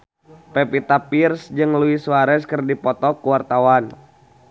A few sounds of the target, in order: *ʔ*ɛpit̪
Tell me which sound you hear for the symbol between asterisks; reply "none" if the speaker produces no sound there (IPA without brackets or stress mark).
p